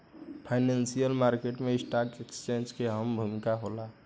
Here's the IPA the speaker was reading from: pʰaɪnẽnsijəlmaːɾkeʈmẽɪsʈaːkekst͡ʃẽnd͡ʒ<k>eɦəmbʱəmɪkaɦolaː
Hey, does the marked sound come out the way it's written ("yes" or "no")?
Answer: yes